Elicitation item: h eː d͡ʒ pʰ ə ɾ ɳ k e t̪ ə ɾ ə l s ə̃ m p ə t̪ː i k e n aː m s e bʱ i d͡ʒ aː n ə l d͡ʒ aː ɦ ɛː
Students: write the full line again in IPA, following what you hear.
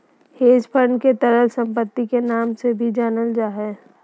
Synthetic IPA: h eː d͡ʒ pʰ ə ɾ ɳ k e t̪ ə ɾ ə l s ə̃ m p ə t̪ː i k e n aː m s e bʱ i d͡ʒ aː n ə l d͡ʒ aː ɦ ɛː